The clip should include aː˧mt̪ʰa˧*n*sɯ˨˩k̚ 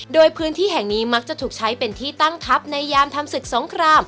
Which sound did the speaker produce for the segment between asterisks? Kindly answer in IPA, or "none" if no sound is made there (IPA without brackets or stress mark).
m